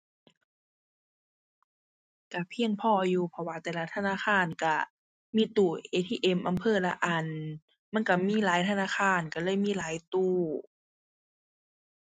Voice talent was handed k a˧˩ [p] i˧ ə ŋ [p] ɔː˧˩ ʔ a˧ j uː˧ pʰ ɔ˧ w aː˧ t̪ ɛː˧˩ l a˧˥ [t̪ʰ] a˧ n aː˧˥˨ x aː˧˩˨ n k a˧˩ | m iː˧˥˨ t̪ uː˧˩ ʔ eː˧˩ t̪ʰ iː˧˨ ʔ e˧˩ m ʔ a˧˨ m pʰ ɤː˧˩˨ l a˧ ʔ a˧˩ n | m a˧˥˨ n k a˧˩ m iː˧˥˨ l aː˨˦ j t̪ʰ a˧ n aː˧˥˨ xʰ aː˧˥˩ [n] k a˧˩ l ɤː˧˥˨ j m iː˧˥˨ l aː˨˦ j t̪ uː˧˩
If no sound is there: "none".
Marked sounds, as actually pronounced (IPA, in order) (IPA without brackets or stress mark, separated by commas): pʰ, pʰ, t̪ʰ, n